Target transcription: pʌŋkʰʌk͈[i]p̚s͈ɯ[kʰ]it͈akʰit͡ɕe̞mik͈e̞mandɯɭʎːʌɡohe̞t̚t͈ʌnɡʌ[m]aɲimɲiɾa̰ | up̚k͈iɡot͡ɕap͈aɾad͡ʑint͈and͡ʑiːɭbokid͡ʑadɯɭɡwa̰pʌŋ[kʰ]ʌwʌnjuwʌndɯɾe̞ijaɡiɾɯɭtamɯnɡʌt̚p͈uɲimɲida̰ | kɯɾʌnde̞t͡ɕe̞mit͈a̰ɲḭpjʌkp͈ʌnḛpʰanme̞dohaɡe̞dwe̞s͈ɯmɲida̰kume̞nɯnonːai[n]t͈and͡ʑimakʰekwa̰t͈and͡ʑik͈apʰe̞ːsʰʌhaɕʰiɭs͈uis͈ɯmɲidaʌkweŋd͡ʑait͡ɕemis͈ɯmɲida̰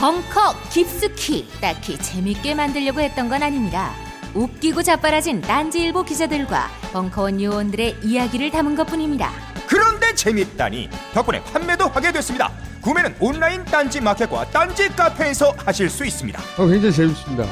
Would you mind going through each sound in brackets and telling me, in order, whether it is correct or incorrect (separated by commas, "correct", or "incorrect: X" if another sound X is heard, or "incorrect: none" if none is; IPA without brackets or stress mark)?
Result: correct, correct, incorrect: n, correct, correct